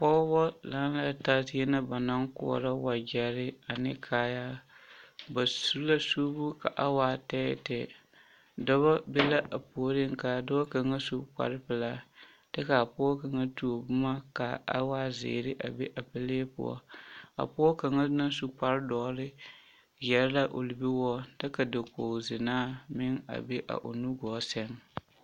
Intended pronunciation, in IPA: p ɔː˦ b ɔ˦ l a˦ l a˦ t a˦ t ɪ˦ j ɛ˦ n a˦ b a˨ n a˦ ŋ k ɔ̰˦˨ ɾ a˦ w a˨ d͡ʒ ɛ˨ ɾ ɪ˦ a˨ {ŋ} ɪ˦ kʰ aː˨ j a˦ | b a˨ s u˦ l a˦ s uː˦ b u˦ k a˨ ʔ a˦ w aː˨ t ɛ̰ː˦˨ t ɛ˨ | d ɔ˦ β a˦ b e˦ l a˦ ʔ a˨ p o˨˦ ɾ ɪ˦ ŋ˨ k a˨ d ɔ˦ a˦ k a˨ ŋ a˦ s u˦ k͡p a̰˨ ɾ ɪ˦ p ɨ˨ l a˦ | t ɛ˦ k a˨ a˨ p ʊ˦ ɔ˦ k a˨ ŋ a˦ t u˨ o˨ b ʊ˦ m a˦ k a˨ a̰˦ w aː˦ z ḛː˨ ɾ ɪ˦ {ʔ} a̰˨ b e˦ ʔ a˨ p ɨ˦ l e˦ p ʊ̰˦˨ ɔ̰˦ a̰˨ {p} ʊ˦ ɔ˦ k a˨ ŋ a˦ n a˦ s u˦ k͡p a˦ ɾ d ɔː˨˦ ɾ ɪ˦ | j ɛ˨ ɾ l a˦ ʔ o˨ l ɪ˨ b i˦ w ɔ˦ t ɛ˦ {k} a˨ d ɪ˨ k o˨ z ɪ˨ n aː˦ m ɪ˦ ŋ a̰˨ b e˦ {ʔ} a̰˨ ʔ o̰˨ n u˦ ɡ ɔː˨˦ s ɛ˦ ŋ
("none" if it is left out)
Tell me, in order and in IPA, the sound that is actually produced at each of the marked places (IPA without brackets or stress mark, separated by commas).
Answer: n, ʔ, p, k, ʔ